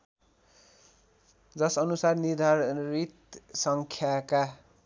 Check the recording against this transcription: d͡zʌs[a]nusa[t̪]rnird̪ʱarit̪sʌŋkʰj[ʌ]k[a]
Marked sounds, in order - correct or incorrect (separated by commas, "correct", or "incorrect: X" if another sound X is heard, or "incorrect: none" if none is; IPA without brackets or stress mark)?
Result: incorrect: ʌ, incorrect: none, incorrect: a, correct